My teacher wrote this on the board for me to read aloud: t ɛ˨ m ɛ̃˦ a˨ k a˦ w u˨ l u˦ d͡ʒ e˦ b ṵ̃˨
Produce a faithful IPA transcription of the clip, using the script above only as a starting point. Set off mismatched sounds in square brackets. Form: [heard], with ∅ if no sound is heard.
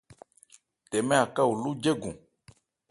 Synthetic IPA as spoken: t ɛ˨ m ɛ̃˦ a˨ k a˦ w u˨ l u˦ d͡ʒ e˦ [ɡ] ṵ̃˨